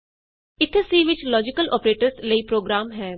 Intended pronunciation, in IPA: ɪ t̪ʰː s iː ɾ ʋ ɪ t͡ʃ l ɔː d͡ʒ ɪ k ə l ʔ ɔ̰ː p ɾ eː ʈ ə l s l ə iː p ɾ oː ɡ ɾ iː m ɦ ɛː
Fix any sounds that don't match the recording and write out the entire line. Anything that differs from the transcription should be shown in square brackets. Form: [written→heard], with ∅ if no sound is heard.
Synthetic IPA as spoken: ɪ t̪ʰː s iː [ɾ→∅] ʋ ɪ t͡ʃ l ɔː d͡ʒ ɪ k ə l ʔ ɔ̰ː p ɾ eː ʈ ə [l→ɾ] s l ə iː p ɾ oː ɡ ɾ [iː→aː] m ɦ ɛː